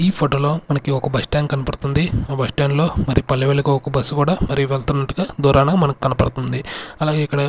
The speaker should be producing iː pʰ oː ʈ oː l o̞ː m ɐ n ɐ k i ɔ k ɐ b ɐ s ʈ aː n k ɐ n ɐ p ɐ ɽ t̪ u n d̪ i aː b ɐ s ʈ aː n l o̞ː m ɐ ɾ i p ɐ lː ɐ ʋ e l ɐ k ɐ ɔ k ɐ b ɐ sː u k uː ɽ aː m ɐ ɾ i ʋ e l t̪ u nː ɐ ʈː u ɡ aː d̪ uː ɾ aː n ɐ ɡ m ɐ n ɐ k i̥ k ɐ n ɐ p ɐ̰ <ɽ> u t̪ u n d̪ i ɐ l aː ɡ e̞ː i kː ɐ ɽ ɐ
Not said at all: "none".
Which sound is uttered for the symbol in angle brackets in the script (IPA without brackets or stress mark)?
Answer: ɽ